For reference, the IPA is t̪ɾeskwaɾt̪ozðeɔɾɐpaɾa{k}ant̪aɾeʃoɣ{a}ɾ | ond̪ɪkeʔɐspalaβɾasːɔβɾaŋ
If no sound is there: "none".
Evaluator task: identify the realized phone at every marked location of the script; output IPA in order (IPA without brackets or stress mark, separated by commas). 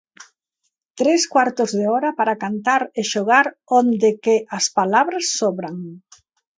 k, a